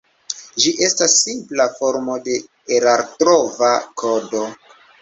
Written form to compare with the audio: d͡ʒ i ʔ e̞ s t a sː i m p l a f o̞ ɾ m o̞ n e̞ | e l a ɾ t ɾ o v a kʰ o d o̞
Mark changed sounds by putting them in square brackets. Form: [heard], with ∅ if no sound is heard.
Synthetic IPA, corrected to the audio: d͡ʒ i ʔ e̞ s t a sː i m p l a f o̞ ɾ m o̞ [d] e̞ | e [ɾ] a ɾ t ɾ o v a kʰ o d o̞